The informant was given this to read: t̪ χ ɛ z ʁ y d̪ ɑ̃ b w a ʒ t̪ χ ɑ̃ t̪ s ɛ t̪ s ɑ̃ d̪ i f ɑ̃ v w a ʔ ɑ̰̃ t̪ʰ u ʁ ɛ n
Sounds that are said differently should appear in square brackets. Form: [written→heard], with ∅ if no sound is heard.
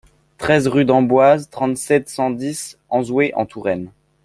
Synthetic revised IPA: t̪ χ ɛ z ʁ y d̪ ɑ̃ b w a [ʒ→z] t̪ χ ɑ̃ t̪ s ɛ t̪ s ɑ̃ d̪ i [f→s] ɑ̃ [v→z] w [a→e] ʔ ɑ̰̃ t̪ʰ u ʁ ɛ n

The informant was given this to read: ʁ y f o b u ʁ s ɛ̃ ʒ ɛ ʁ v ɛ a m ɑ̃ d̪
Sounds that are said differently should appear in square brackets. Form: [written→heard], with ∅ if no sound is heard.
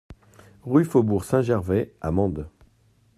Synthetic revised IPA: ʁ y f o b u ʁ s ɛ̃ ʒ ɛ ʁ v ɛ a m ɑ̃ d̪

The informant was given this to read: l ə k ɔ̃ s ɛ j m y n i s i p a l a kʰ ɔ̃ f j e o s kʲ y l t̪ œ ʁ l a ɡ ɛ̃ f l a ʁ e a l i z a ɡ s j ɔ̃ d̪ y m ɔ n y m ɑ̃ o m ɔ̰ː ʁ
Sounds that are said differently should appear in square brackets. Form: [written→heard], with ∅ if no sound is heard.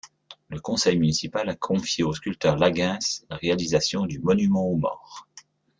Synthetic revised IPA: l ə k ɔ̃ s ɛ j m y n i s i p a l a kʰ ɔ̃ f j e o s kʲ y l t̪ œ ʁ l a ɡ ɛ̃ [f→s] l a ʁ e a l i z a [ɡ→∅] s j ɔ̃ d̪ y m ɔ n y m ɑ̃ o m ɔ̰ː ʁ

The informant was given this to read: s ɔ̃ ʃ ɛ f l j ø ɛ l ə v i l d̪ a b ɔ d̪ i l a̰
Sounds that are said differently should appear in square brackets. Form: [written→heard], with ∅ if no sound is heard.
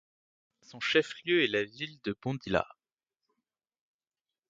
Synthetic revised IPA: s ɔ̃ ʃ ɛ f l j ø ɛ l [ə→a] v i l d̪ [a→ə] b [ɔ→ɔ̃] d̪ i l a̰

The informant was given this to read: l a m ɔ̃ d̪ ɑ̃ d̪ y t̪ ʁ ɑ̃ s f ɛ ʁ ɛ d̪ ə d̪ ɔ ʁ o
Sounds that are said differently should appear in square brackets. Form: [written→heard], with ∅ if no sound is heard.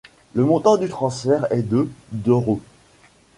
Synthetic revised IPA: l [a→ə] m ɔ̃ [d̪→t̪] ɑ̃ d̪ y t̪ [ʁ→χ] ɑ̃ s f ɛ ʁ ɛ d̪ ə d̪ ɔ ʁ o

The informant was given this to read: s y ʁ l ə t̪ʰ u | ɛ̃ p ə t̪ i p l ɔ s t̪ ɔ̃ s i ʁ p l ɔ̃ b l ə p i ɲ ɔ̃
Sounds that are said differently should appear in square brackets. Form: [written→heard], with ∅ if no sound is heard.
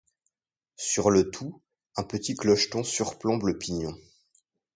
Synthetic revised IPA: s y ʁ l ə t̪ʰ u | ɛ̃ p ə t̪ i [p→k] l ɔ [s→ʃ] t̪ ɔ̃ s [i→y] ʁ p l ɔ̃ b l ə p i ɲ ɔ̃

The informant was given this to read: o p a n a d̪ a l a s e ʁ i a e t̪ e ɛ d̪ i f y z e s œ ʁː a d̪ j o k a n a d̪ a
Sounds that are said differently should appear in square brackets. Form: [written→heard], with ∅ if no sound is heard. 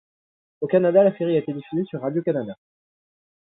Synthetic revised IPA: o [p→k] a n a d̪ a l a s e ʁ i a e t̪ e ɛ d̪ i f y z e s [œ→y] ʁː a d̪ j o k a n a d̪ a

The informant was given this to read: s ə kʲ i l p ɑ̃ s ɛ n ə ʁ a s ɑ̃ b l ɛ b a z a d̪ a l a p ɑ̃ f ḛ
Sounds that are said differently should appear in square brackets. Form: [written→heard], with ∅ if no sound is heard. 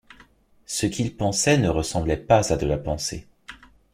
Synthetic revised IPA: s ə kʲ i l p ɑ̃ s ɛ n ə ʁ [a→ə] s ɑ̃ b l ɛ [b→p] a z a d̪ [a→ə] l a p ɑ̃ [f→s] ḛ

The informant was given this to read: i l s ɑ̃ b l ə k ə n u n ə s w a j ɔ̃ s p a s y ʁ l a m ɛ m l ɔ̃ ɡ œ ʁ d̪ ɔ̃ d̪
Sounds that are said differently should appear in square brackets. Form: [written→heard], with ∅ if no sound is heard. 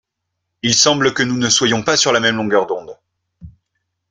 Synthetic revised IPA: i l s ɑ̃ b l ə k ə n u n ə s w a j ɔ̃ [s→∅] p a s y ʁ l a m ɛ m l ɔ̃ ɡ œ ʁ d̪ ɔ̃ d̪

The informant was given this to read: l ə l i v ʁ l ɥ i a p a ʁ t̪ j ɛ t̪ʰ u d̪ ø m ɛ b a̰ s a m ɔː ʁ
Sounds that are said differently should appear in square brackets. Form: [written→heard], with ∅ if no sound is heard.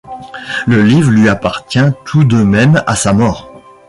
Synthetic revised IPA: l ə l i v ʁ l ɥ i a p a ʁ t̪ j [ɛ→ɛ̃] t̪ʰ u d̪ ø m ɛ [b→m] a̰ s a m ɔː ʁ

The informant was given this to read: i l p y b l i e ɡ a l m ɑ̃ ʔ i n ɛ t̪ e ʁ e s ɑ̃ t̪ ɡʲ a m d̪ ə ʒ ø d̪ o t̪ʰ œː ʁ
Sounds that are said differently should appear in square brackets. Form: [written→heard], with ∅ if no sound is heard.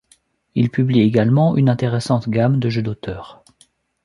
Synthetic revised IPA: i l p y b l i e ɡ a l m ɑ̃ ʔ [i→y] n [ɛ→ɛ̃] t̪ e ʁ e s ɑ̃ t̪ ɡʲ a m d̪ ə ʒ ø d̪ o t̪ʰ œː ʁ

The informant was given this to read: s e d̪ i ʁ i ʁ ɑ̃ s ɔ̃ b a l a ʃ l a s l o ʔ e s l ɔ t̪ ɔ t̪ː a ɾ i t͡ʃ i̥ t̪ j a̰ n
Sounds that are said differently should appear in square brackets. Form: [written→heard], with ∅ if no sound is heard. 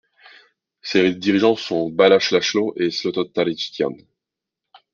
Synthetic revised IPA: s e d̪ i ʁ i [ʁ→ʒ] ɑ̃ s ɔ̃ b a l a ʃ l a [s→ʃ] l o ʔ e s l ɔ t̪ ɔ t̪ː a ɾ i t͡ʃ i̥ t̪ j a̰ n

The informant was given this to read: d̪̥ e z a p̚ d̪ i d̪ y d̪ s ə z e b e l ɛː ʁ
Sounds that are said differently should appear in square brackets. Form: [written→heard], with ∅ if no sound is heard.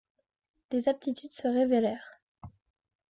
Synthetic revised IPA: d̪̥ e z a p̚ [d̪→t̪] i [d̪→t̪] y d̪ s ə [z→ʁ] e [b→v] e l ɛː ʁ

